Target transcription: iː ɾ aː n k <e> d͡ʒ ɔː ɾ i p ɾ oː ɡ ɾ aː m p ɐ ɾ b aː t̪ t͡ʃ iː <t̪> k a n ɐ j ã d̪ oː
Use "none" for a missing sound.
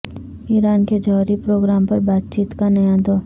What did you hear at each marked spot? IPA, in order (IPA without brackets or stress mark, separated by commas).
e, t̪